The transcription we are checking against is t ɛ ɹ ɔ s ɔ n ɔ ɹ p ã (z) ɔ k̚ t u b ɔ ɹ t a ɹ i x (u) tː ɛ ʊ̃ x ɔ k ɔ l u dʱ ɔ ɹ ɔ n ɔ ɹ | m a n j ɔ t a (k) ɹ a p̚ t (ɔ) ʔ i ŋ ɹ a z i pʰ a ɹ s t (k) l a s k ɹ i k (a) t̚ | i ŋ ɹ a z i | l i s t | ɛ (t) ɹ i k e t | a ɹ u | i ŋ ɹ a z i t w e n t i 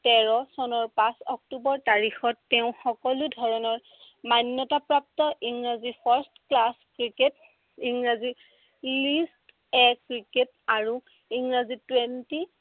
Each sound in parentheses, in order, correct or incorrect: incorrect, incorrect, incorrect, correct, correct, incorrect, incorrect

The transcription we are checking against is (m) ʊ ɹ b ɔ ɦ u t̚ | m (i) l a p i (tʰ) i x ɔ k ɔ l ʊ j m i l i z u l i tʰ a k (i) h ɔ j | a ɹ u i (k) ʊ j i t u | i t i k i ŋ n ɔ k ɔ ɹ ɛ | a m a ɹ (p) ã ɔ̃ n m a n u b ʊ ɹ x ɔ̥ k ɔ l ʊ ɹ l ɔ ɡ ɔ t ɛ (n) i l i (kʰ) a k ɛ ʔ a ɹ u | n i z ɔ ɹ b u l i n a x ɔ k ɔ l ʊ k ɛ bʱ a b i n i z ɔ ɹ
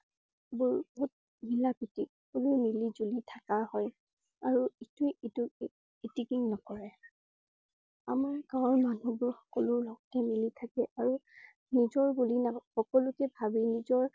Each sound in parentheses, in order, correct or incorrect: incorrect, correct, incorrect, incorrect, incorrect, incorrect, incorrect, incorrect

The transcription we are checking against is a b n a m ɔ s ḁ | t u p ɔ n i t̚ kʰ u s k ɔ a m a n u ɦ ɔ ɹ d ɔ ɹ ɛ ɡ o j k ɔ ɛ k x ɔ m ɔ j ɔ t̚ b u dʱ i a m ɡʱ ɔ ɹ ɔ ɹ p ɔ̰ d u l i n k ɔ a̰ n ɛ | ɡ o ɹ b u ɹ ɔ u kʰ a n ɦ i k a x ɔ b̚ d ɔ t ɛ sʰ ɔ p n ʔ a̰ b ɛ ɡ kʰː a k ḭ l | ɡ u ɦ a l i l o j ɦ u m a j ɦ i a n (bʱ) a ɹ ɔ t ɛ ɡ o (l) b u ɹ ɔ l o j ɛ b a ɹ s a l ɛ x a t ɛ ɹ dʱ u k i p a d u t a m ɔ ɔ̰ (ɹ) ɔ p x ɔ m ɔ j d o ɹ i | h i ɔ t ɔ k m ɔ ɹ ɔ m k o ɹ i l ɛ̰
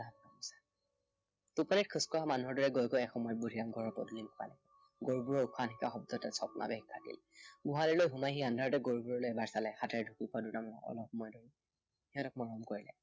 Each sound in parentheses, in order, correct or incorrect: incorrect, incorrect, incorrect

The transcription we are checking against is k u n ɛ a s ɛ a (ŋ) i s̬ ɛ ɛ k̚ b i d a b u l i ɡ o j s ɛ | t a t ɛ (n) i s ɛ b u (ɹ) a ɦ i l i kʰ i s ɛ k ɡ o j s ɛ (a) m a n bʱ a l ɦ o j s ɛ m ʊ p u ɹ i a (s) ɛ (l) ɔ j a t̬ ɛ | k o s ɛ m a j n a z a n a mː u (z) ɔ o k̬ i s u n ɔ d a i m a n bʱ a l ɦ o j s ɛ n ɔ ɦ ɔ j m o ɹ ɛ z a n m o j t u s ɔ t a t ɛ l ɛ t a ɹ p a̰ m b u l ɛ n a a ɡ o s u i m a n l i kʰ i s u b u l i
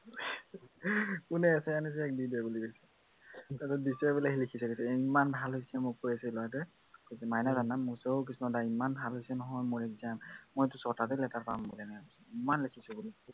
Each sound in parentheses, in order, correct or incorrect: incorrect, incorrect, incorrect, incorrect, correct, correct, incorrect

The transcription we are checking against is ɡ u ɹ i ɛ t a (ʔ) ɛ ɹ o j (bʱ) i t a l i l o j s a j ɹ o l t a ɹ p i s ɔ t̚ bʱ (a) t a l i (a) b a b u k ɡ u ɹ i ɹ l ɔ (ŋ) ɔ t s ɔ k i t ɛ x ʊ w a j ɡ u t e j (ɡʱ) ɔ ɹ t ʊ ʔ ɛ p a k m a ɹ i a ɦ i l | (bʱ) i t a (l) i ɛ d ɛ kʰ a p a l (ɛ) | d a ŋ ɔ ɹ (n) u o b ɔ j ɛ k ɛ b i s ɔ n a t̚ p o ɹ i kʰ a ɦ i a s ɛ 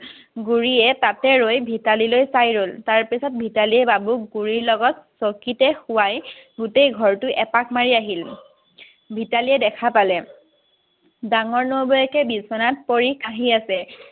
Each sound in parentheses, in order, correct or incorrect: incorrect, correct, incorrect, incorrect, incorrect, correct, correct, correct, correct, correct

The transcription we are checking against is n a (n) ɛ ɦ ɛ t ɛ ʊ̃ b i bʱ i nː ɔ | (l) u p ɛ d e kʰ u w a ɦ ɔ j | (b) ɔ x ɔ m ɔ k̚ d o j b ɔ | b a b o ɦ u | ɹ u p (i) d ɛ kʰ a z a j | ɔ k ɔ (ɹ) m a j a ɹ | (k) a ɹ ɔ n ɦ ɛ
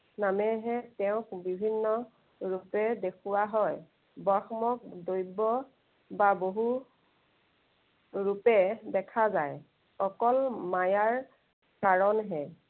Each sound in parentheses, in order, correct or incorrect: incorrect, incorrect, correct, incorrect, incorrect, correct

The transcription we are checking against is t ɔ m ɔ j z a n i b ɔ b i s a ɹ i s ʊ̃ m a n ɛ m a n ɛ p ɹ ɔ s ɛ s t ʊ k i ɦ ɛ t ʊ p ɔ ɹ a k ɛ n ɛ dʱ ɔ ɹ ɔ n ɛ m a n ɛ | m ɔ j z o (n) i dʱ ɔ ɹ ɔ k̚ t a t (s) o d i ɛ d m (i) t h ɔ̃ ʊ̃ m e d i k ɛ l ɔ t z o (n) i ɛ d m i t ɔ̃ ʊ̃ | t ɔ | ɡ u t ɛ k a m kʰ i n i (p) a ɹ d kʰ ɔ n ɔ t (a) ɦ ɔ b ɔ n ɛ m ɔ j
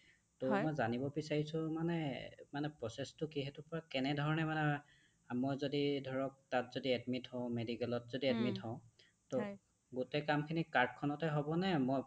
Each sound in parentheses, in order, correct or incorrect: incorrect, incorrect, correct, incorrect, incorrect, incorrect

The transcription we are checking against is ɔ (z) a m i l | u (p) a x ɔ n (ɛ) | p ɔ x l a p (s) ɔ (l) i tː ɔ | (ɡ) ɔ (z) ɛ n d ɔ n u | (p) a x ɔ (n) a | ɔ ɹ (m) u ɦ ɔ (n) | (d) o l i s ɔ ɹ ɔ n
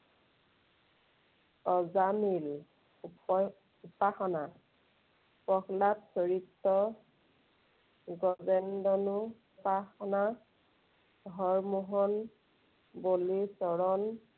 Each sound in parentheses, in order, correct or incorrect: correct, correct, incorrect, correct, incorrect, correct, correct, correct, correct, correct, correct, incorrect

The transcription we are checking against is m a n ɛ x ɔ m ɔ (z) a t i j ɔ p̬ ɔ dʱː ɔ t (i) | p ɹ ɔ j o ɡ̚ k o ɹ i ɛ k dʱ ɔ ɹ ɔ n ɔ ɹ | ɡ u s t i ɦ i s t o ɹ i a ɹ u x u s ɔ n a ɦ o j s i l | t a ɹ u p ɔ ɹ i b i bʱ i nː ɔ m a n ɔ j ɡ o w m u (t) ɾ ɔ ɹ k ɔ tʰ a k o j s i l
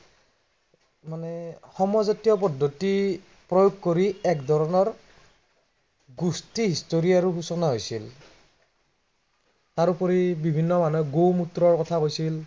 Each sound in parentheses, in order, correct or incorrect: correct, correct, correct

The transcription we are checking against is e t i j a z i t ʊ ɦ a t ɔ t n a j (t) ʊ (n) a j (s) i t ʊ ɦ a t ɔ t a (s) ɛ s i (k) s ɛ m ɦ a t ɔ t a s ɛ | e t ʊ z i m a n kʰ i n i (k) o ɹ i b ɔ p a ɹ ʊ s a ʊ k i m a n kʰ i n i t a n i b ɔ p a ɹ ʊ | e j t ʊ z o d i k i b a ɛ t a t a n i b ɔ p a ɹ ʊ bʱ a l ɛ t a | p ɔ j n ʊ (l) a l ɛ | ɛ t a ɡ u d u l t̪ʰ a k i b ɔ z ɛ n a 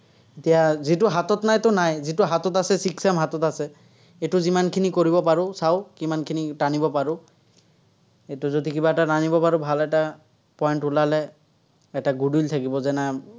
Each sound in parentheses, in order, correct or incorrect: correct, correct, incorrect, correct, correct, correct, correct

